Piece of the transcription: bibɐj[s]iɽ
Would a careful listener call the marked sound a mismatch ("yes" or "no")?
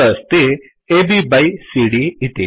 no